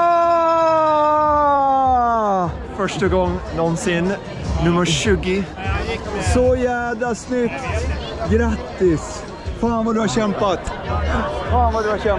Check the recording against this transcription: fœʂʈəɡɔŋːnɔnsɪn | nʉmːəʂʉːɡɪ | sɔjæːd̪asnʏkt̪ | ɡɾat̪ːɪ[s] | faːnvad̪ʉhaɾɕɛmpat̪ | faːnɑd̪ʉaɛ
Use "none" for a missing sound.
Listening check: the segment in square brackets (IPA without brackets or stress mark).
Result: s